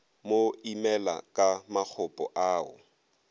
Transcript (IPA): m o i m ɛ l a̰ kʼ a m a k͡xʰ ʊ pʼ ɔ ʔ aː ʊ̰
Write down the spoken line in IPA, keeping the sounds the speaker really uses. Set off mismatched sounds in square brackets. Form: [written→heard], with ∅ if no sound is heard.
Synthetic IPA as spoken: m o i m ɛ l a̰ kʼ a m a k͡xʰ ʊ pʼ ɔ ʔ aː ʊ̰